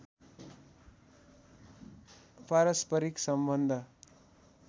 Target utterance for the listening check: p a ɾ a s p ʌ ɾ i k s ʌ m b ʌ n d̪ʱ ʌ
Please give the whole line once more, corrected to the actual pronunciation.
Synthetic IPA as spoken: p a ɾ ʌ s p ʌ ɾ i k s ʌ m b ʌ n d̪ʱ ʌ